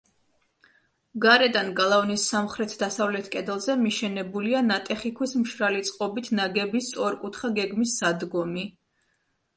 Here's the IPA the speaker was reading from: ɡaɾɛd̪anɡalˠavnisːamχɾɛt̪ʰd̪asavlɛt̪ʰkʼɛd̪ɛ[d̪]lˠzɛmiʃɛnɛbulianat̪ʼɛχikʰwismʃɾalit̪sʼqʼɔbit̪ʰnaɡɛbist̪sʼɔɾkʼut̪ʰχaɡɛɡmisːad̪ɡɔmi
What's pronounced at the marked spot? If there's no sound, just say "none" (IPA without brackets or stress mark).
none